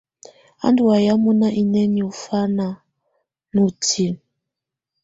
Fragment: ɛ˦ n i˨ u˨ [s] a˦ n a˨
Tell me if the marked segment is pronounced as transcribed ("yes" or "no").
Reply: no